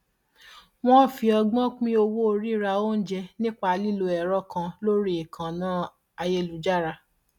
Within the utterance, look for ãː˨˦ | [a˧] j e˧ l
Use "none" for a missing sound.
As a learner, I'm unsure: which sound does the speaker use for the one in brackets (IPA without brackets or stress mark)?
a˧